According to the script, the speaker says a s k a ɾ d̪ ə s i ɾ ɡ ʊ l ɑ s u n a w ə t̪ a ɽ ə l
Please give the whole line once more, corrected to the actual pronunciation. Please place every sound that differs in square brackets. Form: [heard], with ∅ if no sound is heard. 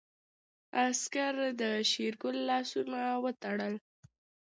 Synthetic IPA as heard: a s k a ɾ d̪ ə [ʃ] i ɾ ɡ ʊ [lː] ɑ s u n a w ə t̪ a ɽ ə l